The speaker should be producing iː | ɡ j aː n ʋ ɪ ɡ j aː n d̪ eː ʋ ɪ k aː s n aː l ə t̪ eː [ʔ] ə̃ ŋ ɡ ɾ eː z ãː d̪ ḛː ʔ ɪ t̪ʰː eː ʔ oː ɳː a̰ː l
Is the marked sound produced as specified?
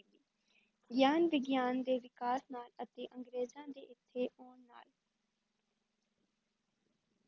yes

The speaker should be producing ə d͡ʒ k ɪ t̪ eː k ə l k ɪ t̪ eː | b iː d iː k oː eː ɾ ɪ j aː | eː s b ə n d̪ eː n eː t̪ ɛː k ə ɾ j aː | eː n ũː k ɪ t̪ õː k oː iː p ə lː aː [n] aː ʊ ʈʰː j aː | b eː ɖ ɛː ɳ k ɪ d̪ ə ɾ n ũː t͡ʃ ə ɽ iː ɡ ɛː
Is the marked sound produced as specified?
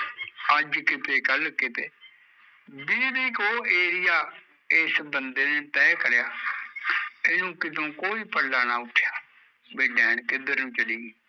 yes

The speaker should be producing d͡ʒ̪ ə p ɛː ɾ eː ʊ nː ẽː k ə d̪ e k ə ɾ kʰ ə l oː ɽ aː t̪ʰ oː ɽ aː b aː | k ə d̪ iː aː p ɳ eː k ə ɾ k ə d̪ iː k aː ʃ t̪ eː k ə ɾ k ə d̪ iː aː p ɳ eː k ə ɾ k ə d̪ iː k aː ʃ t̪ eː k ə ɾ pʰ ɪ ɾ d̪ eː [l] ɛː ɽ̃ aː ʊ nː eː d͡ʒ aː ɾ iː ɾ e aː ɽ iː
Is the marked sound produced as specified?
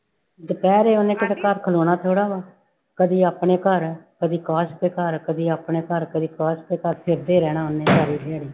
no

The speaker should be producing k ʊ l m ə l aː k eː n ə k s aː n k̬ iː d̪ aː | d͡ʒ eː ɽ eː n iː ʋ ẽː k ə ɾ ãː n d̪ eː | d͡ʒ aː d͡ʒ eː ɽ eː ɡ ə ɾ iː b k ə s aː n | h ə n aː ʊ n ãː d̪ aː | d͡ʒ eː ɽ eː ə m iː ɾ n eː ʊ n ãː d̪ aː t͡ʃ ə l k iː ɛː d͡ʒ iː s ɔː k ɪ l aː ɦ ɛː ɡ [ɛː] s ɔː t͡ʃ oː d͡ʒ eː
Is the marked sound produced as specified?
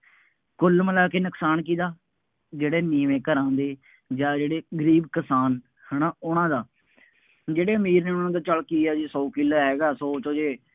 no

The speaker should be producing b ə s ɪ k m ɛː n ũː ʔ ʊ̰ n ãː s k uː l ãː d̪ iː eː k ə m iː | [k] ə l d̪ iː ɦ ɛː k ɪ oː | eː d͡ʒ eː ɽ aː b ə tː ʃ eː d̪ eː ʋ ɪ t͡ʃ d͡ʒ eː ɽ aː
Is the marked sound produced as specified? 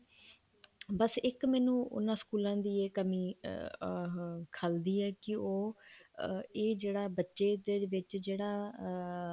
no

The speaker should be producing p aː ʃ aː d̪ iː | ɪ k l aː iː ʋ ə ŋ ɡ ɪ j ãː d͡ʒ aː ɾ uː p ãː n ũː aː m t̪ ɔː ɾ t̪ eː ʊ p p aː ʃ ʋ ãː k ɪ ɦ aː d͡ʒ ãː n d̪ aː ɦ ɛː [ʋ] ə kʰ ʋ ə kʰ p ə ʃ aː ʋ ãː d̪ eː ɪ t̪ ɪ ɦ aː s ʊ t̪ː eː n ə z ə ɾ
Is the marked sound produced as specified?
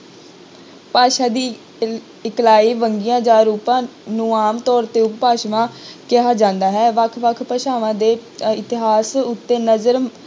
yes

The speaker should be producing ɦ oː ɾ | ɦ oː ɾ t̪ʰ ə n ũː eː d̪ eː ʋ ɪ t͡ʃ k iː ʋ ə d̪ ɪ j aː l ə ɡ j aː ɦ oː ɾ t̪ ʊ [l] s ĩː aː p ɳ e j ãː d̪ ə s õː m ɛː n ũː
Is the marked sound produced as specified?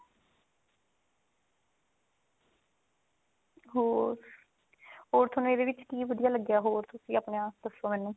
no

